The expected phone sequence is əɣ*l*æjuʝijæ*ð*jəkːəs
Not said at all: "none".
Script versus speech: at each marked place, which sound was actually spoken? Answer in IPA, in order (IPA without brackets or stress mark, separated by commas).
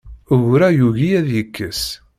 ɾ, ð